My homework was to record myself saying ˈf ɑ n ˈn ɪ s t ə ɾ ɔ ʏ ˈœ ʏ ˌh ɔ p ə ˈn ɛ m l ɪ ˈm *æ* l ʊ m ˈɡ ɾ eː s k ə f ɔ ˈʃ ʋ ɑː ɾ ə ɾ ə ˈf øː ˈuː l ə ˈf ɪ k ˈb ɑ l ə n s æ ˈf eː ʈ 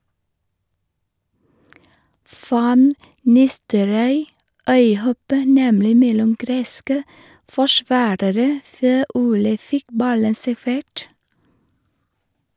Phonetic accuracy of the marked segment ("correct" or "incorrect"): incorrect